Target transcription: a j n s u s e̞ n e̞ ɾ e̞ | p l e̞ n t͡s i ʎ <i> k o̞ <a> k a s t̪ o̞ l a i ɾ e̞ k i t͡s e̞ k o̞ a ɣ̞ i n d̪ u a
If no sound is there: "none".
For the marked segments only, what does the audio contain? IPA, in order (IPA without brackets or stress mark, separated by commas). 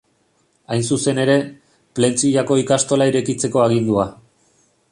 a, i